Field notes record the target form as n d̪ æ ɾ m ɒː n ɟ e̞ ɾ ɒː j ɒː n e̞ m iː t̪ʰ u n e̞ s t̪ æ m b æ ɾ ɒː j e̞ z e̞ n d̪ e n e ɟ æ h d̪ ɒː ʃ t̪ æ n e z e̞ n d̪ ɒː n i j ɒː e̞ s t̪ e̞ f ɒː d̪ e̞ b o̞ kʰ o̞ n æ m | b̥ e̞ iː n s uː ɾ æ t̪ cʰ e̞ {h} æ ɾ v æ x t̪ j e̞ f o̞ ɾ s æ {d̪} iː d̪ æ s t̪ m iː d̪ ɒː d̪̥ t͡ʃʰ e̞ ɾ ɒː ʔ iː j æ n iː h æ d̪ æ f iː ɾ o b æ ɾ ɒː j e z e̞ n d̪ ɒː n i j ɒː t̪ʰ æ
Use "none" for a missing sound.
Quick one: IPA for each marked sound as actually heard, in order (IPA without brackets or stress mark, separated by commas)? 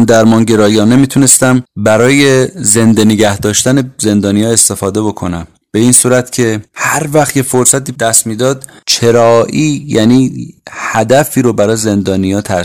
h, t̪